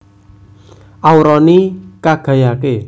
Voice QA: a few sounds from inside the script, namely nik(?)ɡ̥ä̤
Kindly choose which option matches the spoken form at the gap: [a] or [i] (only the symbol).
a